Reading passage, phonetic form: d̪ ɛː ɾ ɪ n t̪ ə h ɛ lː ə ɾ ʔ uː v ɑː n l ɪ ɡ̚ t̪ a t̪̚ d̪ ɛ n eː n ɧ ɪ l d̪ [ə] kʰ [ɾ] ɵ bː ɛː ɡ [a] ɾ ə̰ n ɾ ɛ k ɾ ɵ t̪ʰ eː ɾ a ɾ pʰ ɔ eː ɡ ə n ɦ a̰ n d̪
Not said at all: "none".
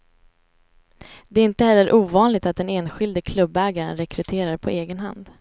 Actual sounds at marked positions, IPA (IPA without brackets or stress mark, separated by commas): ə, l, a